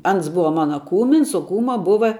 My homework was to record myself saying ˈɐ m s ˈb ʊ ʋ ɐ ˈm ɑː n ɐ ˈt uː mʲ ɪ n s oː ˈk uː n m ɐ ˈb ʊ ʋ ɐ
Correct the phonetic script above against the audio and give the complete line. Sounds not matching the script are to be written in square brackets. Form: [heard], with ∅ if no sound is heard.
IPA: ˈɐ [n] s ˈb ʊ ʋ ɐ ˈm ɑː n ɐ [ˈk] uː mʲ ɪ n s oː ˈk uː [∅] m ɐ ˈb ʊ ʋ ɐ